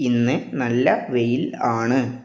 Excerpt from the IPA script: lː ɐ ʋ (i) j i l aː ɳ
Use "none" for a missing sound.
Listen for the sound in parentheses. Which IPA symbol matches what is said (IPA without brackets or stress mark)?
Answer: e